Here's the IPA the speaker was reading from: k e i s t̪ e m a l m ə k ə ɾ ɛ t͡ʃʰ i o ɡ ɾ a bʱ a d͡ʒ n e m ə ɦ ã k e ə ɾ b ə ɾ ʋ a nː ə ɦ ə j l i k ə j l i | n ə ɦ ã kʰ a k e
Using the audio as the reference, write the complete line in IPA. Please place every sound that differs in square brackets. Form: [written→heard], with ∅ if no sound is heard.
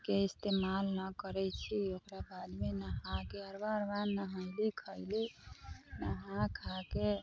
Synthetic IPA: k e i s t̪ e m a l [m→n] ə k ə ɾ ɛ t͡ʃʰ i o [ɡ→k] ɾ a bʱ a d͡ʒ [n→m] e [m→n] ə ɦ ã k e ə ɾ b [ə→a] ɾ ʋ a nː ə ɦ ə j l i [k→kʰ] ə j l i | n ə ɦ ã kʰ a k e

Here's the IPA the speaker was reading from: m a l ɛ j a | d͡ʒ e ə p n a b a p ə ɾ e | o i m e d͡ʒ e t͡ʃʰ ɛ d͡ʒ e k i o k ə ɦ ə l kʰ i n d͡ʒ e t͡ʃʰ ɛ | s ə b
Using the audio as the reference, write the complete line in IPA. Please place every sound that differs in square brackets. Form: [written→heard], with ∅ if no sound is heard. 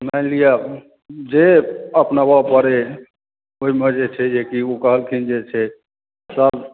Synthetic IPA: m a l [ɛ→i] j a | d͡ʒ e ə p n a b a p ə ɾ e | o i m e d͡ʒ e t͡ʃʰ ɛ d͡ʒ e k i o k ə ɦ ə l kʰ i n d͡ʒ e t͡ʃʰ ɛ | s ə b

